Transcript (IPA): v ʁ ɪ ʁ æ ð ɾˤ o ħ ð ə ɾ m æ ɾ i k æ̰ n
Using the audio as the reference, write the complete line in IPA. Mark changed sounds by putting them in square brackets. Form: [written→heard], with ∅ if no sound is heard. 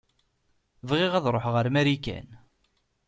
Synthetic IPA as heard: v ʁ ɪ ʁ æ ð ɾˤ o ħ [ð→ʁ] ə ɾ m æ ɾ i k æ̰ n

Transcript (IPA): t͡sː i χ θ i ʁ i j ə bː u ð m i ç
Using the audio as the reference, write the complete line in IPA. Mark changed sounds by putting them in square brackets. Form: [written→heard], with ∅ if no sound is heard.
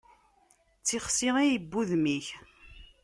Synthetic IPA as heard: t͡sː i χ [θ→s] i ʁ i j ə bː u ð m i ç

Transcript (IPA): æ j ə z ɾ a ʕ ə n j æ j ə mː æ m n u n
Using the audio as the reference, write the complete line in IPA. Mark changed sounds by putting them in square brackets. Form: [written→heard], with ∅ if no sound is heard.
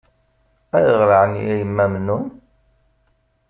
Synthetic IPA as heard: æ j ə [z→ʁ] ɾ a ʕ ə n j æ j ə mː æ m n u n

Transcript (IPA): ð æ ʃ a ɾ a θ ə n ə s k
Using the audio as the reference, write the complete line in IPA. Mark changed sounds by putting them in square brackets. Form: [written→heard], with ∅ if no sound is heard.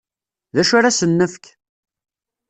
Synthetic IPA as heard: ð æ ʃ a ɾ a [θ→s] ə [n→nː] ə [s→f] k

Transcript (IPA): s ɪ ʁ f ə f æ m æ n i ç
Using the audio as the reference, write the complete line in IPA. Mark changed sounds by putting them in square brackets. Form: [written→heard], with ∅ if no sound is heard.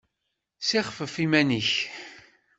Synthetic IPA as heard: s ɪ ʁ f ə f [æ→i] m æ n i ç

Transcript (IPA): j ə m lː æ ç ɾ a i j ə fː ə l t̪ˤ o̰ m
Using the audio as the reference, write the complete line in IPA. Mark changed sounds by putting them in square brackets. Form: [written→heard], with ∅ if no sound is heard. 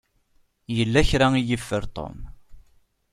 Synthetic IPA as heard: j ə [m→∅] lː æ ç ɾ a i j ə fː ə [l→ɾ] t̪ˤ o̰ m

